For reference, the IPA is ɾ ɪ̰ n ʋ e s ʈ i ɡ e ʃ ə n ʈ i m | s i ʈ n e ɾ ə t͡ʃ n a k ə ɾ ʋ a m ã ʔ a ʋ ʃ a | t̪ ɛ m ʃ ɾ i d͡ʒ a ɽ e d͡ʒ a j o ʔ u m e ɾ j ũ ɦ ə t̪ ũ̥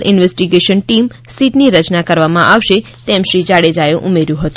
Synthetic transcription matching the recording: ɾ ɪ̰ n ʋ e s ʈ i ɡ e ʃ ə n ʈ i m | s i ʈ n i ɾ ə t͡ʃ n a k ə ɾ ʋ a m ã ʔ a ʋ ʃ e | t̪ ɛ m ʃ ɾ i d͡ʒ a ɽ e d͡ʒ a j o ʔ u m e ɾ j ũ ɦ ə t̪ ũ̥